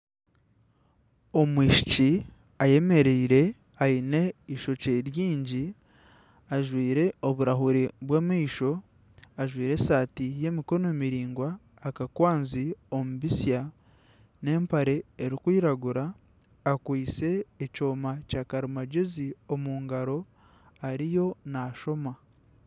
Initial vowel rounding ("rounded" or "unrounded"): rounded